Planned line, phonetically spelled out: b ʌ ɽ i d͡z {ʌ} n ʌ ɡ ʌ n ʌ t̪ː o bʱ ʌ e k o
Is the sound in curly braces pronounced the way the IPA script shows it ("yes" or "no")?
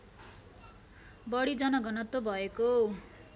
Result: yes